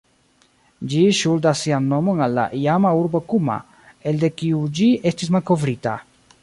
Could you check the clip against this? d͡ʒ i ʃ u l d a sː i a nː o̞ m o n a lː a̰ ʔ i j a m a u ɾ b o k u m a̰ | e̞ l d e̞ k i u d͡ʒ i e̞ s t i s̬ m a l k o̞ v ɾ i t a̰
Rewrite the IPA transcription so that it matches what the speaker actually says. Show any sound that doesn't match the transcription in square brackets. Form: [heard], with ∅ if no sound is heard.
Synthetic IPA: d͡ʒ i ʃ u l d a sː i a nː o̞ m o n a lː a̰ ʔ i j a m a u ɾ b o k u m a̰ | e̞ l d e̞ k i u d͡ʒ i e̞ s t i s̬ m a l k o̞ v ɾ i t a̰